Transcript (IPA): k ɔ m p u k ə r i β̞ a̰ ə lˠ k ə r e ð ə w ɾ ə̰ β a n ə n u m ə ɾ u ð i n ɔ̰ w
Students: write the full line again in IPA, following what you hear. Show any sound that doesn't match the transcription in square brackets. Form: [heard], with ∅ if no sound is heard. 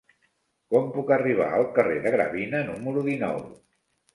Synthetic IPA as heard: k ɔ m p u k ə r i β̞ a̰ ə lˠ k ə r e ð ə [ɣ] ɾ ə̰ β [i] n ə n u m ə ɾ u ð i n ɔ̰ w